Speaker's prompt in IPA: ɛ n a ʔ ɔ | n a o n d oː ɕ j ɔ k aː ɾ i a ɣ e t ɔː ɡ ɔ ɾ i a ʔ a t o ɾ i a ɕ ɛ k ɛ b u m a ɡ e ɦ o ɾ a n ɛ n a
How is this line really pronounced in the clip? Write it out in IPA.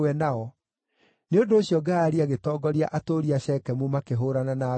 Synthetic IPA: ɛ n a ɔ | n e o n d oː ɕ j ɔ ɡ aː ɾ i a ɣ e t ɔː ɡ ɔ ɾ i a ʔ a t o ɾ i a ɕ ɛ k ɛ m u m a k e ɦ o ɾ a n a n a